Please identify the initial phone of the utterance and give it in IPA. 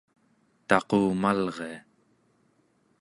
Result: t̪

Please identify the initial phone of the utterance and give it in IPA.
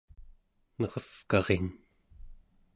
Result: n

